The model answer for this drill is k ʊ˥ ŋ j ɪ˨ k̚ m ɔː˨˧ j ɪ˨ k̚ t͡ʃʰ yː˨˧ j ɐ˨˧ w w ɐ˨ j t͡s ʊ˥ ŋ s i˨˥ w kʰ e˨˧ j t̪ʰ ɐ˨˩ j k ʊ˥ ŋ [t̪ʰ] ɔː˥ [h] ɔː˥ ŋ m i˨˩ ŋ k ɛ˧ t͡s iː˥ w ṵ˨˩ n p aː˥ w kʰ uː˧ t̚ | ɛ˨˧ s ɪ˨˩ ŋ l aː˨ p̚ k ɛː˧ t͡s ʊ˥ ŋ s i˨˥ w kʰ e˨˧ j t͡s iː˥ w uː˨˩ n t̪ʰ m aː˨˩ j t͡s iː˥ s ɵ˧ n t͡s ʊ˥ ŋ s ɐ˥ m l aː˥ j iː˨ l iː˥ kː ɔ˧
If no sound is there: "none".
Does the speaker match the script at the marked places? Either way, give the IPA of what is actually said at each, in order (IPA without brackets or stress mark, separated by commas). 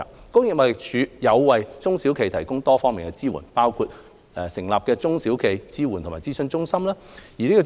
t̪, f